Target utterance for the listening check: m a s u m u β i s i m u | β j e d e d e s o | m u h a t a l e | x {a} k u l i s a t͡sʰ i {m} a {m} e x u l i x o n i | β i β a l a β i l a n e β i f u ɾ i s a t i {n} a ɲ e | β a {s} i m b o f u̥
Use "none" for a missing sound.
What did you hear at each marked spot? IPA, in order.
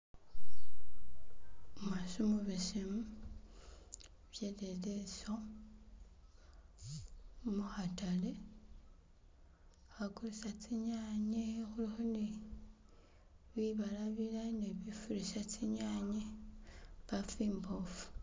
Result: a, ɲ, ɲ, ɲ, f

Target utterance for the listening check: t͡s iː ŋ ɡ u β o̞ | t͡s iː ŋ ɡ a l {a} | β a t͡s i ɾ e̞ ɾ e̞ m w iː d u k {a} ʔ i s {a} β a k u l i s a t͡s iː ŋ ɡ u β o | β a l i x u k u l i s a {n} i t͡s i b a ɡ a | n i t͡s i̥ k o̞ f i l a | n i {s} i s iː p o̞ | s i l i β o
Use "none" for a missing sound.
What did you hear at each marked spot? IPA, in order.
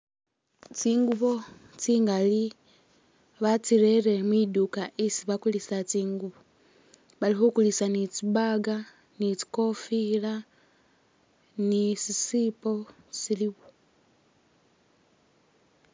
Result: i, a, i, n, s

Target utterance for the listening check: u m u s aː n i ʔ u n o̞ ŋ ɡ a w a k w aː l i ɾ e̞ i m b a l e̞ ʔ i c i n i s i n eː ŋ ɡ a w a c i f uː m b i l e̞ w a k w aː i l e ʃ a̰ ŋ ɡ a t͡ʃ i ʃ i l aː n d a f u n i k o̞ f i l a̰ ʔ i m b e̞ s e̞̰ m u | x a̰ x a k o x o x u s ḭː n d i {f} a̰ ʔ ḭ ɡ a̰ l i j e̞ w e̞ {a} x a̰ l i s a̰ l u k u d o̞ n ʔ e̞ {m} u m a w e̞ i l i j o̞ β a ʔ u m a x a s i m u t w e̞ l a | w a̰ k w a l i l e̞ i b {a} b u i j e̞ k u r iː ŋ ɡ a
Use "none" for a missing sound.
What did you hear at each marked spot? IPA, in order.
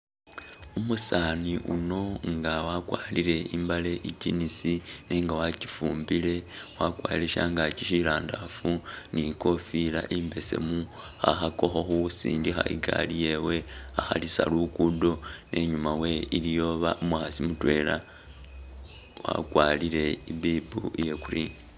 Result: x, a, ɲ, i

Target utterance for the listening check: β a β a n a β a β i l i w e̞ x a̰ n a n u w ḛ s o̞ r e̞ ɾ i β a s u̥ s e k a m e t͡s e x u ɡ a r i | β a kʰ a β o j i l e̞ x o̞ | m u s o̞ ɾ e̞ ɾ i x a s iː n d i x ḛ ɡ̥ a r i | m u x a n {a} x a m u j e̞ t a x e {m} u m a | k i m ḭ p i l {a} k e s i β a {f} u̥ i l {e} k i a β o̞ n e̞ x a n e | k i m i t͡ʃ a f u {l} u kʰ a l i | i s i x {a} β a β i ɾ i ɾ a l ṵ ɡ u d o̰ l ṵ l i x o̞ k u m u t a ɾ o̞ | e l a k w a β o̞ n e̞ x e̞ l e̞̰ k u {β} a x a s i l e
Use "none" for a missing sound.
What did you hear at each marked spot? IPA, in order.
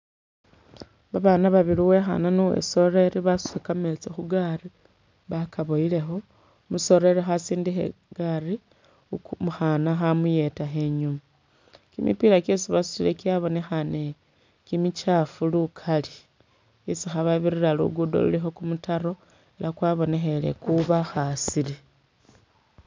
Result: a, ɲ, a, s, e, l, a, β

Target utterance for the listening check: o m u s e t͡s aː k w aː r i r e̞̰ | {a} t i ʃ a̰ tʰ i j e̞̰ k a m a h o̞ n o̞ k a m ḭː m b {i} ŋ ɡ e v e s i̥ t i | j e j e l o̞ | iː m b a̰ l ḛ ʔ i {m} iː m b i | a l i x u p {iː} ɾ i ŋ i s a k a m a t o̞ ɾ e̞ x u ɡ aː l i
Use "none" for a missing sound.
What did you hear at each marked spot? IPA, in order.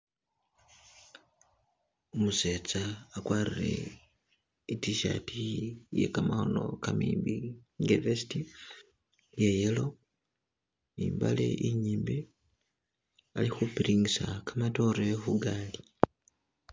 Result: i, i, ɲ, i

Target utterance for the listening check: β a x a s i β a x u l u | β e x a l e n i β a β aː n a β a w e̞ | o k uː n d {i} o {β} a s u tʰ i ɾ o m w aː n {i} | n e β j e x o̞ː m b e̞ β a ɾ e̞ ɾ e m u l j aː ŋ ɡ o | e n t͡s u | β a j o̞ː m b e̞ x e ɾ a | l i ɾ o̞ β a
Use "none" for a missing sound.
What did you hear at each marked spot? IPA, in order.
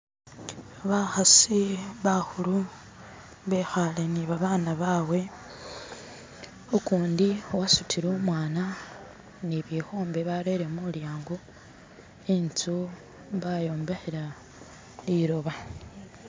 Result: i, w, a

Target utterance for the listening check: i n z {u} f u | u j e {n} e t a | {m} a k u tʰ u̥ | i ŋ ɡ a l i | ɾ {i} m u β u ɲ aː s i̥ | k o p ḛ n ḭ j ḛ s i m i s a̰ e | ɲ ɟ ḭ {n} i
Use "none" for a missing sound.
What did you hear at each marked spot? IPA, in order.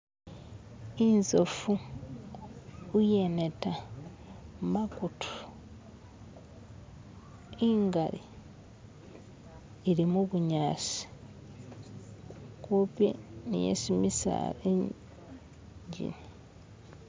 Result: o, n, m, i, n

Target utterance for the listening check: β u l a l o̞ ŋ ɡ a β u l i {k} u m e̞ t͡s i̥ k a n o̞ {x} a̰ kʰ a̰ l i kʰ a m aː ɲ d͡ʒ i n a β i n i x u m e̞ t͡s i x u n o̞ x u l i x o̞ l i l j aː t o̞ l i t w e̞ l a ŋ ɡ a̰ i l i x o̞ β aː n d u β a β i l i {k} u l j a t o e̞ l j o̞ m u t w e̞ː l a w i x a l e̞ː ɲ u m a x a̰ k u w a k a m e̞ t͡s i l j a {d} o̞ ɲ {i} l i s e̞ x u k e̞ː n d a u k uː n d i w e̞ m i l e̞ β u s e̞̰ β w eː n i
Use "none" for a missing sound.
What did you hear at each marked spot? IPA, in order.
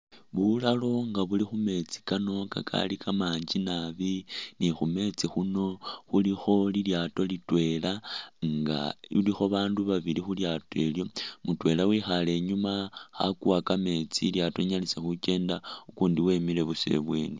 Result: x, k, x, t, a

